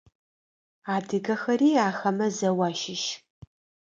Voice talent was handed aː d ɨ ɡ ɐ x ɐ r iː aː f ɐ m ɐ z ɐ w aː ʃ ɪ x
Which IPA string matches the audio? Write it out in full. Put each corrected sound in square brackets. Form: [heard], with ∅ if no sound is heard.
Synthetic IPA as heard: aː d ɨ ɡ ɐ x ɐ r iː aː [x] ɐ m ɐ z ɐ w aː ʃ ɪ [ʃ]